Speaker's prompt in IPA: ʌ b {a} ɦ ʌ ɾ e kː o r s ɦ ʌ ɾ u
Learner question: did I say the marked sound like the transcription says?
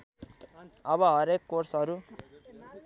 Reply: no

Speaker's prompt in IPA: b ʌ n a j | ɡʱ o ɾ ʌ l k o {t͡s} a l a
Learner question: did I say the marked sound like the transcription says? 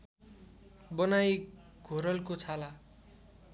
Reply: no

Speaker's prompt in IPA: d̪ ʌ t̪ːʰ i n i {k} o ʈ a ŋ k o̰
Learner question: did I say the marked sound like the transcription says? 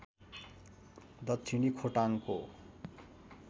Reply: no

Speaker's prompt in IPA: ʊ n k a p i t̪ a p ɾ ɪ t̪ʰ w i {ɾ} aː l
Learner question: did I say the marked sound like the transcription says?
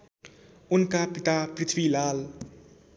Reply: no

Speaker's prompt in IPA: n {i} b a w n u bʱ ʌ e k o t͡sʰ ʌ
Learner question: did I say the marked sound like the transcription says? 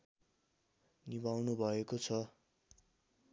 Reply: yes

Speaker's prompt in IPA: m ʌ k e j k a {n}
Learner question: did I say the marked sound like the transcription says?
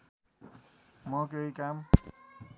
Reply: no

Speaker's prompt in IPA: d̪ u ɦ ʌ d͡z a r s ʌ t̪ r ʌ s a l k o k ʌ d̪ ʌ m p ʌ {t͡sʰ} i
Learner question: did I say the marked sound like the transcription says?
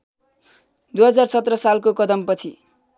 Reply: yes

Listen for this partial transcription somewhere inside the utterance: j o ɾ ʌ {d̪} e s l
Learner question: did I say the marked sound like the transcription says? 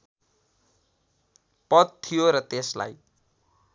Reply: no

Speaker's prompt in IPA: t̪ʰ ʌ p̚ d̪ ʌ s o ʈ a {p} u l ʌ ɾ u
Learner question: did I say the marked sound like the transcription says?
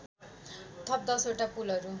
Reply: yes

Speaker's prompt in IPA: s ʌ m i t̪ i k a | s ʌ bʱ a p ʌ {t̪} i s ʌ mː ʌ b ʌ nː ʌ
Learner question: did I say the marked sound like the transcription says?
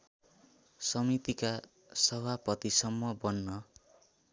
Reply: yes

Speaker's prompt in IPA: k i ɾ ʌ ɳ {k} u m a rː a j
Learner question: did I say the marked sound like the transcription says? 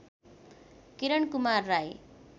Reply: yes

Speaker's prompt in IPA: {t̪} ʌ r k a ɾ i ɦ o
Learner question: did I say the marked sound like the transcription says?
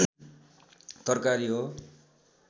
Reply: yes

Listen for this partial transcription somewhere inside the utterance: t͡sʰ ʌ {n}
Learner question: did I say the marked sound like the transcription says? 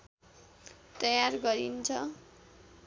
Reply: no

